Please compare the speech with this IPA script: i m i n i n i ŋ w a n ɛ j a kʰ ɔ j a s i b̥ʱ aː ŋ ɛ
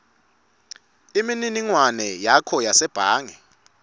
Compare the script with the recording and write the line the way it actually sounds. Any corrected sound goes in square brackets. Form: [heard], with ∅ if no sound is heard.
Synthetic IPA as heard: i m i n i n i ŋ w a n ɛ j a kʰ ɔ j a s [ɛ] b̥ʱ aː ŋ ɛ